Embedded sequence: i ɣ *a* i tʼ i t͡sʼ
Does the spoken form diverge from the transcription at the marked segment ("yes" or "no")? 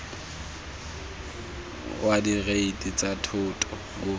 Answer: yes